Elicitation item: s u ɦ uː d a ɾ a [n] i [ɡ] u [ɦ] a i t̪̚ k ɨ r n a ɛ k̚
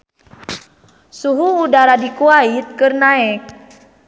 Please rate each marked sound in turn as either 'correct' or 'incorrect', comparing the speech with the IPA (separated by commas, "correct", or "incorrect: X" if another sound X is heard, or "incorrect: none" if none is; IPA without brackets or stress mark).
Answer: incorrect: d, incorrect: k, incorrect: none